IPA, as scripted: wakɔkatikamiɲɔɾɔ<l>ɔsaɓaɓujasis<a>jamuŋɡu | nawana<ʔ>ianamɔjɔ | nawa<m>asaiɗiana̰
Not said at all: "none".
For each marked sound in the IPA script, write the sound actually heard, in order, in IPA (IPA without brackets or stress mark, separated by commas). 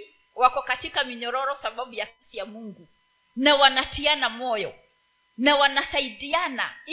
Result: ɾ, i, t, n